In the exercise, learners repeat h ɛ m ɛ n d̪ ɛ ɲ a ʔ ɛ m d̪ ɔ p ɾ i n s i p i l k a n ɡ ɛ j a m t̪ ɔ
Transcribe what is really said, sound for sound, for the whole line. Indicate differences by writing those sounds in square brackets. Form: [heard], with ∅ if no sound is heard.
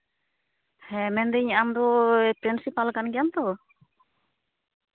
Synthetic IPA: h ɛ m ɛ n d̪ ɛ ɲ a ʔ [a] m d̪ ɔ p ɾ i n s i p [a] l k a n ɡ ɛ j a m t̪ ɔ